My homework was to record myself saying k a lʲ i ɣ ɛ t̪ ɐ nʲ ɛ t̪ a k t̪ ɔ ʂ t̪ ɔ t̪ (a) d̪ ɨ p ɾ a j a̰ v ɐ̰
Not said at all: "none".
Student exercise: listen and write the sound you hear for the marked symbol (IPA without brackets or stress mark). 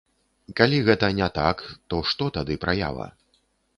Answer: a